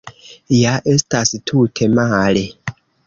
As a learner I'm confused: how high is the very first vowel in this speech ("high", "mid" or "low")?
low